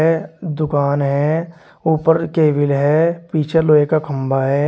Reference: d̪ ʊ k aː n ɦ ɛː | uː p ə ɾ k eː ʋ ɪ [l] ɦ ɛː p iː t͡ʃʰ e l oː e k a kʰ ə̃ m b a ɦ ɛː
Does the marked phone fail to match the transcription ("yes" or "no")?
no